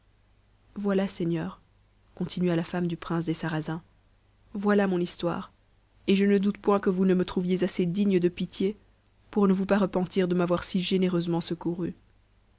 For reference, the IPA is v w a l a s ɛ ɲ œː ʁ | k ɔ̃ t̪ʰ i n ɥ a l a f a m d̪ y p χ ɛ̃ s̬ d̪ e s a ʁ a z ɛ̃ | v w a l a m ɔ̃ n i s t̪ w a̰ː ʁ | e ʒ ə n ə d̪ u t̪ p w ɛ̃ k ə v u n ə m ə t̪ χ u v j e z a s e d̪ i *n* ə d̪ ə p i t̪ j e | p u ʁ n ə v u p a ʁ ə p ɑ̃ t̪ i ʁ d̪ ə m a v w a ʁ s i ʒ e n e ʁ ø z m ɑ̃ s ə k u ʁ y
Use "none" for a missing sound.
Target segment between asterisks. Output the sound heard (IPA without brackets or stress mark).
ɲ